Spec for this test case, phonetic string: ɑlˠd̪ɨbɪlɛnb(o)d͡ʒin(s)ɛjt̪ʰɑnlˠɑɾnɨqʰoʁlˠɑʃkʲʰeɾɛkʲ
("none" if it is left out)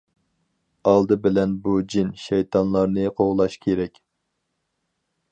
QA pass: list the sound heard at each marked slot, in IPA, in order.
u, ʃ

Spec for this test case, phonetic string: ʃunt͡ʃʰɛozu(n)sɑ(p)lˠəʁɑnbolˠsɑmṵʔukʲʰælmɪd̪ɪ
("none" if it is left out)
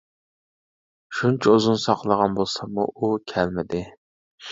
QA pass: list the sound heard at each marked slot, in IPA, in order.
n, q

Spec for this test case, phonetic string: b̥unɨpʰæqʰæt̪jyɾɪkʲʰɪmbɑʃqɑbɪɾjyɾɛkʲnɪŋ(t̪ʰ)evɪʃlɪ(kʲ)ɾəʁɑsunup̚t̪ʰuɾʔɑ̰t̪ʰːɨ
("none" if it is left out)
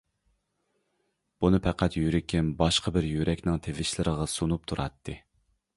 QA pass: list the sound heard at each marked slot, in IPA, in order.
t̪ʰ, none

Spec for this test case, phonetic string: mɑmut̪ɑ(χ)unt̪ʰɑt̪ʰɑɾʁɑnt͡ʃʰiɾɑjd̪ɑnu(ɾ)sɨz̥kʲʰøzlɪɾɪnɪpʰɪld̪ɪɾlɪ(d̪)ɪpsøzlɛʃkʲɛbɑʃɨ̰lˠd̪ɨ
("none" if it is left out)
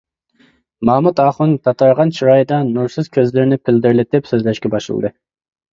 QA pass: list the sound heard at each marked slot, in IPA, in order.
χ, ɾ, t̪

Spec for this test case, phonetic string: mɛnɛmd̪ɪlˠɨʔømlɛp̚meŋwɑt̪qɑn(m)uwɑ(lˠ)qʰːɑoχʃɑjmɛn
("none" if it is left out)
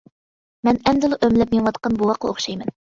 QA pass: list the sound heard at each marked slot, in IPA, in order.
b, none

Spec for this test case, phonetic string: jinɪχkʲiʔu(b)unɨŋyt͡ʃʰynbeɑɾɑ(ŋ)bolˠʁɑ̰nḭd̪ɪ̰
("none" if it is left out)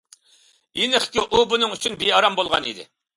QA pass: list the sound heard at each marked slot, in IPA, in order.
b, m

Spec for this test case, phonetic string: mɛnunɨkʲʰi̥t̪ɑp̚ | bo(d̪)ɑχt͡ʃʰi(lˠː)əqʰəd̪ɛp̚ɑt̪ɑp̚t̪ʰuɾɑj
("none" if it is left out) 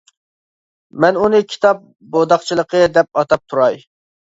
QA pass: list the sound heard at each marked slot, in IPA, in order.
d̪, lˠ

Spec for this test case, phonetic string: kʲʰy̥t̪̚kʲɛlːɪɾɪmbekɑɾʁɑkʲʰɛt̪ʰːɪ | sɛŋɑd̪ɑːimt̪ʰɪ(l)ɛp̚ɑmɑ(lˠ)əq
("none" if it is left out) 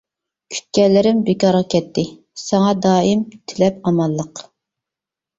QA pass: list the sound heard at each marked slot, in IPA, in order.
l, lˠː

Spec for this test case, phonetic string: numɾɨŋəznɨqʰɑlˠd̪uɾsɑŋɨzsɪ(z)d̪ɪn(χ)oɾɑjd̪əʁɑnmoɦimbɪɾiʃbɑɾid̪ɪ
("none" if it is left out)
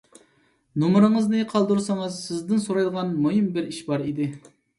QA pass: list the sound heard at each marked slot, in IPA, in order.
z, s

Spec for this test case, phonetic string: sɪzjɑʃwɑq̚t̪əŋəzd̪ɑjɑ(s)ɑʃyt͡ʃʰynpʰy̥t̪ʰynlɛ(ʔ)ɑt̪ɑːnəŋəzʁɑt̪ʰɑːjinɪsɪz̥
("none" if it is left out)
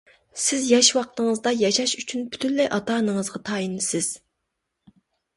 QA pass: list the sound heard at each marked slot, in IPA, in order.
ʃ, ʔ

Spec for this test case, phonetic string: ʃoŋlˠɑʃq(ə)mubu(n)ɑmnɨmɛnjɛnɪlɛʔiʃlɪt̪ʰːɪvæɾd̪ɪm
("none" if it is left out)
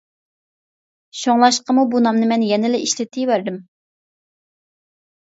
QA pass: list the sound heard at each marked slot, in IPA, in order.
ə, n

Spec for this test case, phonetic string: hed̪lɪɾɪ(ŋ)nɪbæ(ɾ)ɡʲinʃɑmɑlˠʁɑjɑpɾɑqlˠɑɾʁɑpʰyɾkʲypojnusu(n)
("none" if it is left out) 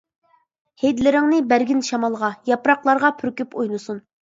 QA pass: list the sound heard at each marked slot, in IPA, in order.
ŋ, ɾ, n

